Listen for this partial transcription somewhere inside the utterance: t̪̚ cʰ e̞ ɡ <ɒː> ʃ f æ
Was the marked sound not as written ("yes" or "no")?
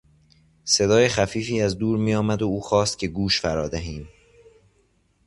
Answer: yes